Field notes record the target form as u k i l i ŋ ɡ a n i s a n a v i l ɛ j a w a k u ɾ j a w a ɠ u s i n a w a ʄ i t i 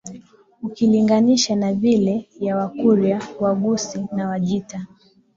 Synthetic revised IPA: u k i l i ŋ ɡ a n i ʃ a n a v i l ɛ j a w a k u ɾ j a w a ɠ u s i n a w a ʄ i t a